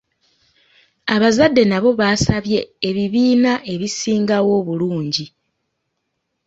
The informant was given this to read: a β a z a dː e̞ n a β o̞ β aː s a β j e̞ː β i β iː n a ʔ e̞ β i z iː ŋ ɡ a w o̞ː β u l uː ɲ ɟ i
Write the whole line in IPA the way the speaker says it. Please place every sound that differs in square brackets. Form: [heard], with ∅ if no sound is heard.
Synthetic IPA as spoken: a β a z a dː e̞ n a β o̞ β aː s a β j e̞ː β i β iː n a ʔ e̞ β i [s] iː ŋ ɡ a w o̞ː β u l uː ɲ ɟ i